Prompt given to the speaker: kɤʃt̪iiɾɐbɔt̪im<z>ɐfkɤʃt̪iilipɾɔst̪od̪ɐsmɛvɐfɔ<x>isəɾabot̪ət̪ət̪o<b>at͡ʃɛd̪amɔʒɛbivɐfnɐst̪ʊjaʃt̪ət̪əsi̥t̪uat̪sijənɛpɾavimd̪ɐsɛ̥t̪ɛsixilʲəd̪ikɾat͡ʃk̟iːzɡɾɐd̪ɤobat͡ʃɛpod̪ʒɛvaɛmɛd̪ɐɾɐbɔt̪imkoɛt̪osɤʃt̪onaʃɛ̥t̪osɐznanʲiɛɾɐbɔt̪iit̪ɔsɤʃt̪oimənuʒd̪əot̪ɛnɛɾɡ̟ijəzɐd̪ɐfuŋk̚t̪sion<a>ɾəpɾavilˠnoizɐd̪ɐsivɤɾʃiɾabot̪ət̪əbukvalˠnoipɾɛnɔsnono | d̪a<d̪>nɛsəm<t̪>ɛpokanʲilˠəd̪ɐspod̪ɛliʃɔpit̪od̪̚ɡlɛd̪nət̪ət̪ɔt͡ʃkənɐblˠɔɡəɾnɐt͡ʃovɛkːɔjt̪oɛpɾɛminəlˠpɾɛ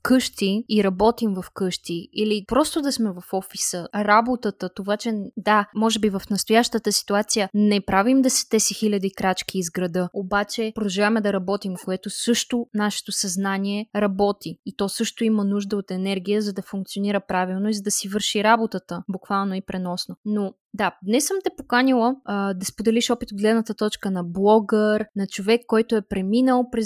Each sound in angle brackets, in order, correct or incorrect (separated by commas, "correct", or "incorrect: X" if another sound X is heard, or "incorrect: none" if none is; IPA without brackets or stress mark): incorrect: v, incorrect: f, incorrect: v, incorrect: i, correct, correct